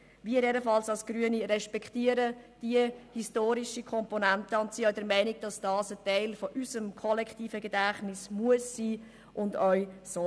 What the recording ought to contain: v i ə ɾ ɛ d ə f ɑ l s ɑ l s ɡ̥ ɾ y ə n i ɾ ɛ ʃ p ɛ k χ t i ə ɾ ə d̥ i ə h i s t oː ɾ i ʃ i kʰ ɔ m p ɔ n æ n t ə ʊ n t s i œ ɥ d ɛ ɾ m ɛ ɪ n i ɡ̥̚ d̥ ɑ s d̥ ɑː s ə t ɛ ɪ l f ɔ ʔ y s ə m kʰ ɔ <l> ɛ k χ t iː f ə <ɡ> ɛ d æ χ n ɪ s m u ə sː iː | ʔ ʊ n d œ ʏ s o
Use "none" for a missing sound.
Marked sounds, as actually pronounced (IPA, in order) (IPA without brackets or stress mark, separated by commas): l, ɡ